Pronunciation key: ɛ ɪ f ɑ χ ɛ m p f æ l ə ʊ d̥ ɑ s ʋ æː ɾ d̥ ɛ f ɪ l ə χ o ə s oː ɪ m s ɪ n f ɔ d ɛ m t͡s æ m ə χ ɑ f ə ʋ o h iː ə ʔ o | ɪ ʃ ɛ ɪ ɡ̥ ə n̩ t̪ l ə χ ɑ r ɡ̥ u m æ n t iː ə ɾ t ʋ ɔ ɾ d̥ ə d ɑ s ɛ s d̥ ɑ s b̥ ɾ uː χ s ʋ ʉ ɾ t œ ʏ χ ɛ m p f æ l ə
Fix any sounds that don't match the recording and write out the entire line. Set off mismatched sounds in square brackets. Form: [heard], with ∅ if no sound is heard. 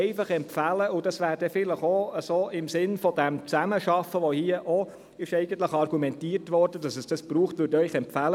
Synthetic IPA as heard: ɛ ɪ f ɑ χ ɛ m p f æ l ə ʊ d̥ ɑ s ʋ æː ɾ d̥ ɛ f ɪ l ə χ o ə s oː ɪ m s ɪ n f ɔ d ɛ m t͡s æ m ə [ʃ] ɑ f ə ʋ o h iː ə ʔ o | ɪ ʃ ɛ ɪ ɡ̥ ə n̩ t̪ l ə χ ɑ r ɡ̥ u m [ɛ] n t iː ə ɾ t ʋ ɔ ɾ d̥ ə d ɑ s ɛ s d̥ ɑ s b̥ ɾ uː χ [t] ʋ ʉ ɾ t œ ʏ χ ɛ m p f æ l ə

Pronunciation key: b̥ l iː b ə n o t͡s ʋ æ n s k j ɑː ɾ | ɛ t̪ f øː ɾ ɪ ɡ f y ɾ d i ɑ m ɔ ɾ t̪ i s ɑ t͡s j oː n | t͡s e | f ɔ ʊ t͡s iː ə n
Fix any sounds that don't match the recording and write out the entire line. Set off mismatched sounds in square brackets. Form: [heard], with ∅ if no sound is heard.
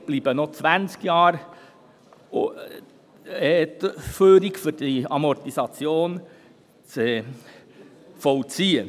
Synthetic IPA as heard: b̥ l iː b ə n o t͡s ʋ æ n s k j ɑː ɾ | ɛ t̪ f øː ɾ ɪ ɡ f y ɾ d i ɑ m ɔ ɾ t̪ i s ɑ t͡s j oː n | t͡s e | f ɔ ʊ t͡s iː ə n

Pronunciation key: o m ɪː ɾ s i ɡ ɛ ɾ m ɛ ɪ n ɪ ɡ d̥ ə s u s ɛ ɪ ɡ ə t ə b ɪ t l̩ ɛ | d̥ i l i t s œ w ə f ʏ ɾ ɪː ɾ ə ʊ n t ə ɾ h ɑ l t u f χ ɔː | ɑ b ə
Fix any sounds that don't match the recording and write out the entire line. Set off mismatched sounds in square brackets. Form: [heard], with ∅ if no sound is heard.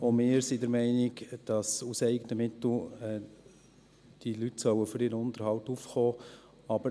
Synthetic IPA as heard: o m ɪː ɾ s i [d] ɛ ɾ m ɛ ɪ n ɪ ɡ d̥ [ɑ] s u s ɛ ɪ ɡ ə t ə [m] ɪ t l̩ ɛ | d̥ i l [y] t s œ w ə f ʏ ɾ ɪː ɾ ə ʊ n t ə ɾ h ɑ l t u f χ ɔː | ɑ b ə

